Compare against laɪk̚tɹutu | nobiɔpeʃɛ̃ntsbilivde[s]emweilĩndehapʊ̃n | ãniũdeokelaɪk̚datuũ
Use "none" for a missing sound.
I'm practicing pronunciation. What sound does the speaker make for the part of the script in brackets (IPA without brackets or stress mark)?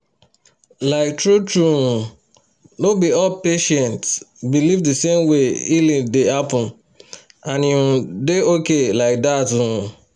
s